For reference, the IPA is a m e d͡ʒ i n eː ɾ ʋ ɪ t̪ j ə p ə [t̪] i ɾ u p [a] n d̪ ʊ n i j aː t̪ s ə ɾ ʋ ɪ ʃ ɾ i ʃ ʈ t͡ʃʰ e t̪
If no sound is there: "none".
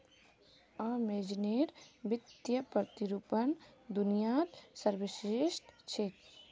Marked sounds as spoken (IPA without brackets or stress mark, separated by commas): t̪, ə